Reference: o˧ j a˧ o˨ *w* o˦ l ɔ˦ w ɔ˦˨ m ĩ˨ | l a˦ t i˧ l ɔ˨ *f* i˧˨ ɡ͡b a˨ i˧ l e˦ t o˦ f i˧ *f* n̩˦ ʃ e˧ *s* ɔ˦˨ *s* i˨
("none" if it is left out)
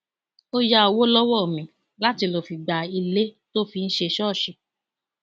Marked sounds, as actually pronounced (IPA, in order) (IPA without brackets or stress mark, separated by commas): w, f, none, ʃ, ʃ